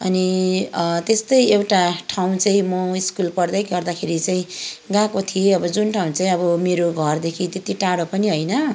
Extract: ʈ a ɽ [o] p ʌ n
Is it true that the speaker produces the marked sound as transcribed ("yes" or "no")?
yes